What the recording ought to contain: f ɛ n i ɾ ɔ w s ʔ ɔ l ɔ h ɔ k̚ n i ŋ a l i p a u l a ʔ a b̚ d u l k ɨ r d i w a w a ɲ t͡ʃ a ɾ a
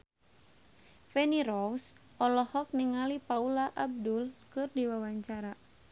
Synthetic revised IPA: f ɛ n i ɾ ɔ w s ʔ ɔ l ɔ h ɔ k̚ n i ŋ a l i p a u l a ʔ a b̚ d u l k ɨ r d i w a w a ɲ t͡ʃ a ɾ a